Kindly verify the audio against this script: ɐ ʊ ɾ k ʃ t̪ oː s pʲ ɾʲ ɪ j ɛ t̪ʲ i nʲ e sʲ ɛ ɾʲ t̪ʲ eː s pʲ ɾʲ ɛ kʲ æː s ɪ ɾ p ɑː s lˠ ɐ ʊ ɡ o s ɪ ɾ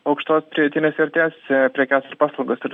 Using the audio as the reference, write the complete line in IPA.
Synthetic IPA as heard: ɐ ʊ k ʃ t̪ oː s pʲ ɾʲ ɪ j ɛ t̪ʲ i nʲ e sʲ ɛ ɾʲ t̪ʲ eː s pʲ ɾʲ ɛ kʲ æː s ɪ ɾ p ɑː s lˠ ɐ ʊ ɡ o s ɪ ɾ

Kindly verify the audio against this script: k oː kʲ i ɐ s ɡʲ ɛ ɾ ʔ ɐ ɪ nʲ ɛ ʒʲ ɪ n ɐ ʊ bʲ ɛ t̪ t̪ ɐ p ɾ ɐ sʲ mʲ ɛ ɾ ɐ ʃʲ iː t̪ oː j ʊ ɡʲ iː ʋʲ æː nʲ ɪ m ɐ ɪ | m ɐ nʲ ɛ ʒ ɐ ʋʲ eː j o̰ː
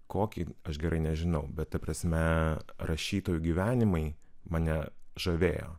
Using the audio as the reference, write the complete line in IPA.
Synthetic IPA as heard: k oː kʲ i ɐ ʃ ɡʲ ɛ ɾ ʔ ɐ ɪ nʲ ɛ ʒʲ ɪ n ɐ ʊ bʲ ɛ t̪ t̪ ɐ p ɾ ɐ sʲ mʲ ɛ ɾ ɐ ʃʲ iː t̪ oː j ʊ ɡʲ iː ʋʲ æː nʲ ɪ m ɐ ɪ | m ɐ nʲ ɛ ʒ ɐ ʋʲ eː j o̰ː

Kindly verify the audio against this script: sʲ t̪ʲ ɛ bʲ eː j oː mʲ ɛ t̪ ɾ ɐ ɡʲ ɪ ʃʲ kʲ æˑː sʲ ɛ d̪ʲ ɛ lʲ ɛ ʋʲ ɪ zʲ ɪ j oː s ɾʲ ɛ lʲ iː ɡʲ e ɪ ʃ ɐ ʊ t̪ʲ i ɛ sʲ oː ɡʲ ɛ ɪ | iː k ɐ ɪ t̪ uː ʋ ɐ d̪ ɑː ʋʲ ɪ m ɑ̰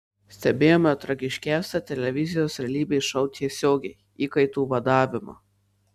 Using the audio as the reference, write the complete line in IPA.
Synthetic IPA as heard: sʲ t̪ʲ ɛ bʲ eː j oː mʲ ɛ t̪ ɾ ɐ ɡʲ ɪ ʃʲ kʲ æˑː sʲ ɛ t̪ʲ ɛ lʲ ɛ ʋʲ ɪ zʲ ɪ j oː s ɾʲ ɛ lʲ iː bʲ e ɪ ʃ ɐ ʊ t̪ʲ i ɛ sʲ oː ɡʲ ɛ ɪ | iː k ɐ ɪ t̪ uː ʋ ɐ d̪ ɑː ʋʲ ɪ m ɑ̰

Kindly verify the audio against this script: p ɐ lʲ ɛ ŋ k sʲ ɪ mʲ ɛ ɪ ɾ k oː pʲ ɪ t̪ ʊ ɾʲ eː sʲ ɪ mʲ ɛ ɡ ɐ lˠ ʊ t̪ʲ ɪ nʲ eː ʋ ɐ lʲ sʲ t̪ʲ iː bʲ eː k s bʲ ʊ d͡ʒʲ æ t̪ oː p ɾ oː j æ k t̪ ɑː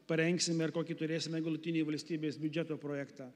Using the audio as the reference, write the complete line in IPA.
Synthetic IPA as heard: p ɐ ɾʲ ɛ ŋ k sʲ ɪ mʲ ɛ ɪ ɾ k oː kʲ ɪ t̪ ʊ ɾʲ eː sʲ ɪ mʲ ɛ ɡ ɐ lˠ ʊ t̪ʲ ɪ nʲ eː ʋ ɐ lʲ sʲ t̪ʲ iː bʲ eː s bʲ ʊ d͡ʒʲ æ t̪ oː p ɾ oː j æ k t̪ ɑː

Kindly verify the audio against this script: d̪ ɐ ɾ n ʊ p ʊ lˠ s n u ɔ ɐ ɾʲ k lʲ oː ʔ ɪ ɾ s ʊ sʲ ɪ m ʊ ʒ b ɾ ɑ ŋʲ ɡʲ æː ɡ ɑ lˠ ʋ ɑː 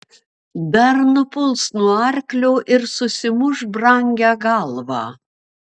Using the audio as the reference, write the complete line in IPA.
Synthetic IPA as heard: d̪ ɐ ɾ n ʊ p ʊ lˠ s n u ɔ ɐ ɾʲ k lʲ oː ʔ ɪ ɾ s ʊ sʲ ɪ m ʊ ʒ b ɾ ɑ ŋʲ ɡʲ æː ɡ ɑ lˠ ʋ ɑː

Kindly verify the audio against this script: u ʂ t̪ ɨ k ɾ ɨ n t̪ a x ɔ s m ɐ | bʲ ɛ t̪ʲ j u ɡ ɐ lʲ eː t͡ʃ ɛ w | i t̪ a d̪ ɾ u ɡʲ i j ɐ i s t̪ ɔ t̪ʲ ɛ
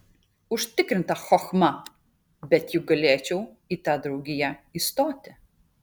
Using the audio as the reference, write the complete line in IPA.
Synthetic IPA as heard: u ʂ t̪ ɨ k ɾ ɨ n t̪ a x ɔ x m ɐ | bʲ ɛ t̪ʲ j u ɡ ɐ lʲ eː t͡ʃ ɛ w | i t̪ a d̪ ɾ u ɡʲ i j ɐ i s t̪ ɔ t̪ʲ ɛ

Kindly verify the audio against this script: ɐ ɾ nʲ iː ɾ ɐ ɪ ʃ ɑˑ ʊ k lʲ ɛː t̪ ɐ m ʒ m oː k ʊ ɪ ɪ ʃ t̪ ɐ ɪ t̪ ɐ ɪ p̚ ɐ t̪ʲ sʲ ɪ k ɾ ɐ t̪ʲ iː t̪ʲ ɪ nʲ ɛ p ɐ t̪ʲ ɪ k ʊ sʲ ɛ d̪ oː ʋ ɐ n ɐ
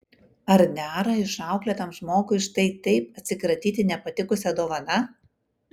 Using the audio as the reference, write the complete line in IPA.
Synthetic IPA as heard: ɐ ɾ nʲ æː ɾ ɐ ɪ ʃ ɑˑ ʊ k lʲ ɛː t̪ ɐ m ʒ m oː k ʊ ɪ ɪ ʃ t̪ ɐ ɪ t̪ ɐ ɪ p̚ ɐ t̪ʲ sʲ ɪ k ɾ ɐ t̪ʲ iː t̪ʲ ɪ nʲ ɛ p ɐ t̪ʲ ɪ k ʊ sʲ ɛ d̪ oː ʋ ɐ n ɐ

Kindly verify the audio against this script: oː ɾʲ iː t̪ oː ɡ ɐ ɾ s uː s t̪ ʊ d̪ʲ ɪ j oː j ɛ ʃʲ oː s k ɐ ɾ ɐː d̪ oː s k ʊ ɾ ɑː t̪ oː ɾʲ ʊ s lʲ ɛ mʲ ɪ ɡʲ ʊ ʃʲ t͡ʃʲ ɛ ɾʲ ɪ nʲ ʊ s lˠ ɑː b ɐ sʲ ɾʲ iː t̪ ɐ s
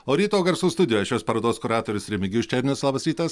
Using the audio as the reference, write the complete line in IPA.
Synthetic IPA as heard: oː ɾʲ iː t̪ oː ɡ ɐ ɾ s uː s t̪ ʊ d̪ʲ ɪ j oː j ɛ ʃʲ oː s p ɐ ɾ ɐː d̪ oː s k ʊ ɾ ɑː t̪ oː ɾʲ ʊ s ɾʲ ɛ mʲ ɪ ɡʲ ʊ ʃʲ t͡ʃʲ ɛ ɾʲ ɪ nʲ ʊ s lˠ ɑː b ɐ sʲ ɾʲ iː t̪ ɐ s

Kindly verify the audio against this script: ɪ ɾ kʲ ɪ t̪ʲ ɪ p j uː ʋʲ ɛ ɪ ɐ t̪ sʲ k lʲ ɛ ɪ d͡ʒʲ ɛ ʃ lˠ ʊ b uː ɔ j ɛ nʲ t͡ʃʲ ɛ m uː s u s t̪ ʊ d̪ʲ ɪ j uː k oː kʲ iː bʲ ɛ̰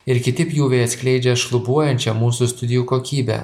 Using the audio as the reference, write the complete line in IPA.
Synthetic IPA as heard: ɪ ɾ kʲ ɪ t̪ʲ ɪ p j uː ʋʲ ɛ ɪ ɐ t̪ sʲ k lʲ ɛ ɪ d͡ʒʲ ɛ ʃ lˠ ʊ b u ɔ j ɛ nʲ t͡ʃʲ ɛ m uː s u s t̪ ʊ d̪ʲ ɪ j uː k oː kʲ iː bʲ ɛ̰

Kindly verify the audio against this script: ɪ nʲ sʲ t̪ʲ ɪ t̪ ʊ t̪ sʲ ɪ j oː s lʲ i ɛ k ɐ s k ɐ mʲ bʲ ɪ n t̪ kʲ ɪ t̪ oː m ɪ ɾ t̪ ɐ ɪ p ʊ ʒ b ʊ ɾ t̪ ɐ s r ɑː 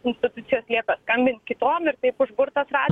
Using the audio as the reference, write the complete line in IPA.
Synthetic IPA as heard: ɪ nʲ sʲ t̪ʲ ɪ t̪ ʊ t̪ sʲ ɪ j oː s lʲ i ɛ k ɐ s k ɐ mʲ bʲ ɪ n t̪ kʲ ɪ t̪ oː m ɪ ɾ t̪ ɐ ɪ p ʊ ʒ b ʊ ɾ t̪ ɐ s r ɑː

